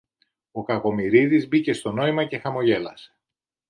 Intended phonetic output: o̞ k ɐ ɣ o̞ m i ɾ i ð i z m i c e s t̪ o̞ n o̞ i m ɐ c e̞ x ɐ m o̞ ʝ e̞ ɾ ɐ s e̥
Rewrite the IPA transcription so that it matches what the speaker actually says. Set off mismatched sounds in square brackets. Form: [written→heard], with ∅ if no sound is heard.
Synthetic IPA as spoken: o̞ k ɐ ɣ o̞ m i ɾ i ð i z [m→b] i c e s t̪ o̞ n o̞ i m ɐ c e̞ x ɐ m o̞ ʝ e̞ [ɾ→l] ɐ s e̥